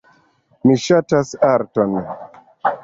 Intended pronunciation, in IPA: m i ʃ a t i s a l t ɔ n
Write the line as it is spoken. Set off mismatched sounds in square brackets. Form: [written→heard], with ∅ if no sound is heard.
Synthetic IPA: m i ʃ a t [i→a] s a [l→ɾ] t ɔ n

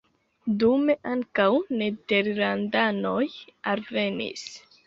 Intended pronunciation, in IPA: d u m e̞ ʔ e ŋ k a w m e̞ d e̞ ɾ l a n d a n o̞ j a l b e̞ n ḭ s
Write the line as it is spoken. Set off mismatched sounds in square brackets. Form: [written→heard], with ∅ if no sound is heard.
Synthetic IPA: d u m e̞ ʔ [e→a] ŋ k a w [m→n] e̞ d e̞ ɾ l a n d a n o̞ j a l [b→v] e̞ n ḭ s

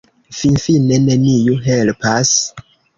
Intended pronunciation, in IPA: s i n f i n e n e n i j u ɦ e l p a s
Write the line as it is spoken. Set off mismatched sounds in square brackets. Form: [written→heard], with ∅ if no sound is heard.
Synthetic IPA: [s→f] i n f i n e n e n i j u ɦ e l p a s

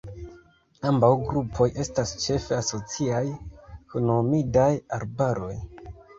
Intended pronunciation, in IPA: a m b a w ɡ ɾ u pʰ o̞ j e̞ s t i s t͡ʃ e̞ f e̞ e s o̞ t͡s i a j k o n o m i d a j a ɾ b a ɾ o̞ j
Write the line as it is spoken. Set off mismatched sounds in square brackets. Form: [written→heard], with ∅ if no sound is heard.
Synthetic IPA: a m b a w ɡ ɾ u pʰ o̞ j e̞ s t [i→a] s t͡ʃ e̞ f e̞ [e→a] s o̞ t͡s i a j k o n o m i d a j a ɾ b a ɾ o̞ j

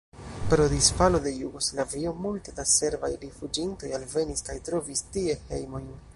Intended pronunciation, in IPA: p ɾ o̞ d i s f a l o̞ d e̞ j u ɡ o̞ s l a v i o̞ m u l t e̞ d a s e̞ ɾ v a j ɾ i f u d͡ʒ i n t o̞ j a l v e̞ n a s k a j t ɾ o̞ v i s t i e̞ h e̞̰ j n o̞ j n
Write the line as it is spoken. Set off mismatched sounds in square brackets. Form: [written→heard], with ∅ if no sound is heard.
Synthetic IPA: p ɾ o̞ d i s f a l o̞ d e̞ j u ɡ o̞ s l a v i o̞ m u l t e̞ d a s e̞ ɾ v a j ɾ i f u d͡ʒ i n t o̞ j a l v e̞ n [a→i] s k a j t ɾ o̞ v i s t i e̞ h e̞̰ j [n→m] o̞ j n

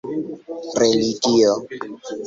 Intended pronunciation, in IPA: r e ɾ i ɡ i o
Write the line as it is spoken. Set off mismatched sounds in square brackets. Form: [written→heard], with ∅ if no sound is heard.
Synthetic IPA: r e [ɾ→l] i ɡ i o

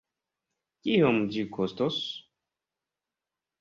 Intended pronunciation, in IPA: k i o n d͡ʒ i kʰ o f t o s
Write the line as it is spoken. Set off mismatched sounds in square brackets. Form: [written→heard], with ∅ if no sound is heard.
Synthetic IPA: k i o [n→m] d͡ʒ i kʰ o [f→s] t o s

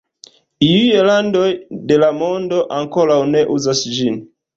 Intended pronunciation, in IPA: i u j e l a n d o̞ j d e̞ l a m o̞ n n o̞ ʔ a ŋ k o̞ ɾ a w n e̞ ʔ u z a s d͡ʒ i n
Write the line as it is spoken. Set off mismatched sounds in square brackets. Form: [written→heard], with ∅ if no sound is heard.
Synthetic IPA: i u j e l a n d o̞ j d e̞ l a m o̞ n [n→d] o̞ ʔ a ŋ k o̞ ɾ a w n e̞ ʔ u z a s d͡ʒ i n

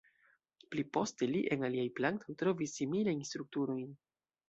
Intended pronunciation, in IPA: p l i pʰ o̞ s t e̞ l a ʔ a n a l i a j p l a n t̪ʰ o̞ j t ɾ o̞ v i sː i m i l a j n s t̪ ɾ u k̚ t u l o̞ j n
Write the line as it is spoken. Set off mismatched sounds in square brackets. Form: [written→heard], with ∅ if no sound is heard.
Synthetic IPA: p l i [pʰ→p] o̞ s t e̞ l [a→i] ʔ [a→e] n a l i a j p l a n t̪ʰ o̞ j t ɾ o̞ v i sː i m i l a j n s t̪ ɾ u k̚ t u [l→ɾ] o̞ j n

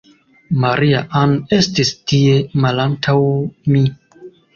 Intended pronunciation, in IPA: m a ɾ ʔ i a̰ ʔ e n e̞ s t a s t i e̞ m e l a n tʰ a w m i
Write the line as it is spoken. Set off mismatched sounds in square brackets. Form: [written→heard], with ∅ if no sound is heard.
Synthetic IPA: m a ɾ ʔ i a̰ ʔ [e→a] n e̞ s t [a→i] s t i e̞ m [e→a] l a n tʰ a w m i

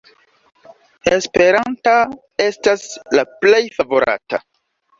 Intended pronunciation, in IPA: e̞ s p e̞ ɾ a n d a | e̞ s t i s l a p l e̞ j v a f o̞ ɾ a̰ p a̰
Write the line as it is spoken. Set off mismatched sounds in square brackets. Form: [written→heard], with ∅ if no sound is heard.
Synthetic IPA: e̞ s p e̞ ɾ a n [d→t] a | e̞ s t [i→a] s l a p l e̞ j [v→f] a [f→v] o̞ ɾ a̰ [p→t] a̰

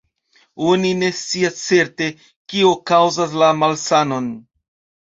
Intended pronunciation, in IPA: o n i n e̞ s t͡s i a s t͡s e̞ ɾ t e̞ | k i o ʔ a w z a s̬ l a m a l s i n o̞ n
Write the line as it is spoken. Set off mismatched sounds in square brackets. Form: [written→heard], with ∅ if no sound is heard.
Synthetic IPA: o n i n e̞ s t͡s i a s t͡s e̞ ɾ t e̞ | k i o [ʔ→k] a w z a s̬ l a m a l s [i→a] n o̞ n

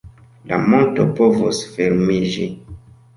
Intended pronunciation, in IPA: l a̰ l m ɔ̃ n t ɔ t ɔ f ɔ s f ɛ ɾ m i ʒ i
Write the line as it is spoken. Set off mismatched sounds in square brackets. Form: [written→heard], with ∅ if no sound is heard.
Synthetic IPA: l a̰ [l→∅] m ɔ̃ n t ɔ [t→p] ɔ [f→v] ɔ s f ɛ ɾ m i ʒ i

